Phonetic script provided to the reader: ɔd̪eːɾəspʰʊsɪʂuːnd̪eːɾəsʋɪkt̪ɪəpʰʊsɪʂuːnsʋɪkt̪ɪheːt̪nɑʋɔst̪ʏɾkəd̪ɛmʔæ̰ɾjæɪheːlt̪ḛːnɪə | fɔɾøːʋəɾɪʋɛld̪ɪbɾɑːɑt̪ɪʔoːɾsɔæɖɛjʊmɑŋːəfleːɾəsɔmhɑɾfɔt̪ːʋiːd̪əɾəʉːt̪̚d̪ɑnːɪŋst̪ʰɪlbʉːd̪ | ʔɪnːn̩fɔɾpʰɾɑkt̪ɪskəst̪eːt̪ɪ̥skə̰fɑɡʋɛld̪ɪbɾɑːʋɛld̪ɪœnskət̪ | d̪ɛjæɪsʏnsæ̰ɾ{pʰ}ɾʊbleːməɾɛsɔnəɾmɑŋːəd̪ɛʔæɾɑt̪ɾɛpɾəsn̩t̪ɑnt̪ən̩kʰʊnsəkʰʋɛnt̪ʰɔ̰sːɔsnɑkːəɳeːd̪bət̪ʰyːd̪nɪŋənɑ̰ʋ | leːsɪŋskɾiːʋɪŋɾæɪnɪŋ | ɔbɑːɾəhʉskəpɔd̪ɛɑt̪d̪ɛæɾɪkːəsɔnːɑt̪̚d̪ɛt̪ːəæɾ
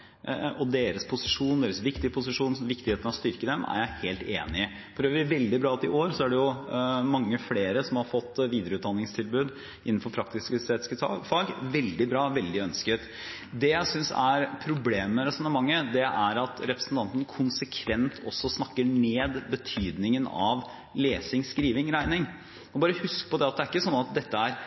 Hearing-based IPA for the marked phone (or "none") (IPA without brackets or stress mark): pʰ